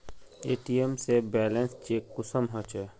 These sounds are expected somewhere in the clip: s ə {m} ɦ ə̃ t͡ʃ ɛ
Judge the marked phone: correct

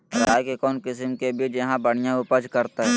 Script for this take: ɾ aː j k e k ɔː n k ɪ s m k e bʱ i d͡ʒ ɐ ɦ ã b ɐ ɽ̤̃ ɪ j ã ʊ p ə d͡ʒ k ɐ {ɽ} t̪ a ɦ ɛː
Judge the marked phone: incorrect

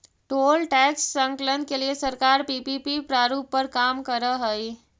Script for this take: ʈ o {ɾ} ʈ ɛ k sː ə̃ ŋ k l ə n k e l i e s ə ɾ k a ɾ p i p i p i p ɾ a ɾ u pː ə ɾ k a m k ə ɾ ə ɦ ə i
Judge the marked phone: incorrect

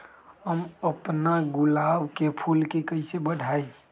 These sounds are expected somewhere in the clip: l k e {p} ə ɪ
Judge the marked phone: incorrect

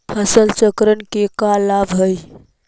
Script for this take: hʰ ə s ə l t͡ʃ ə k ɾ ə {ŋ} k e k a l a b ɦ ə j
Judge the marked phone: incorrect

